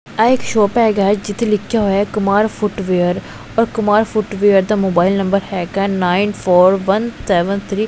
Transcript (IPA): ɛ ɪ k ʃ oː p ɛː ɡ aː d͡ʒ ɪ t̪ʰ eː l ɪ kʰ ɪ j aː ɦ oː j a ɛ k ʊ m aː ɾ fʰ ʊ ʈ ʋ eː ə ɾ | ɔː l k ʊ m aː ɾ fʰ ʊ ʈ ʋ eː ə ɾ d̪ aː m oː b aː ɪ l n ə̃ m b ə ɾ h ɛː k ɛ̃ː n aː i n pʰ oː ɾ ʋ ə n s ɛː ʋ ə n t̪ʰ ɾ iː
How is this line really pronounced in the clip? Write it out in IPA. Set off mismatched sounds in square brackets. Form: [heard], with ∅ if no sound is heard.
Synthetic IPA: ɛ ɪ k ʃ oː p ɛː ɡ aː d͡ʒ ɪ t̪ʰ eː l ɪ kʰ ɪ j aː ɦ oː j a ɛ k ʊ m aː ɾ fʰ ʊ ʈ ʋ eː ə ɾ | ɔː [ɾ] k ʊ m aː ɾ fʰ ʊ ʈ ʋ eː ə ɾ d̪ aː m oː b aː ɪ l n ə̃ m b ə ɾ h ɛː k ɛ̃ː n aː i n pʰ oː ɾ ʋ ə n s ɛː ʋ ə n t̪ʰ ɾ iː